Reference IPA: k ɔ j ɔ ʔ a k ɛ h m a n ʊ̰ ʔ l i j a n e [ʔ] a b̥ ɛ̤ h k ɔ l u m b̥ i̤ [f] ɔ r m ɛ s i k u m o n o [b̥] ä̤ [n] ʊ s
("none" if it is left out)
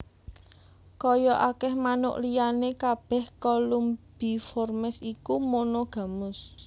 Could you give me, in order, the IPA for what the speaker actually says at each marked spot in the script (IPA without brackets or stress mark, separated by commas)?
k, f, ɡ̥, m